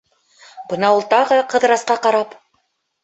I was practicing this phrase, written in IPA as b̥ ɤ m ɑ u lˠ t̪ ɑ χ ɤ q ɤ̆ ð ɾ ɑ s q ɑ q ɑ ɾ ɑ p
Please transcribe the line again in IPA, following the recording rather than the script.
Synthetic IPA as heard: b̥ ɤ n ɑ u lˠ t̪ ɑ ʁ ɤ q ɤ̆ ð ɾ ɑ s q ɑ q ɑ ɾ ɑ p